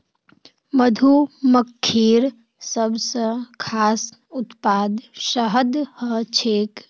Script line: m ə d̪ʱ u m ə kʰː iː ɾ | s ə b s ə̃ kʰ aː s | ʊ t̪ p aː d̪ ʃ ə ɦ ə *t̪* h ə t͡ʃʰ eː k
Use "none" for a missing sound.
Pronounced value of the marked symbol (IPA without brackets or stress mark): d̪